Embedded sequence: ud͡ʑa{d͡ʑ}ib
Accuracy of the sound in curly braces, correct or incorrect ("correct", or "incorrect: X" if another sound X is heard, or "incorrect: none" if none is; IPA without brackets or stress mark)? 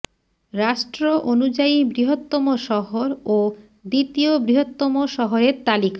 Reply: incorrect: none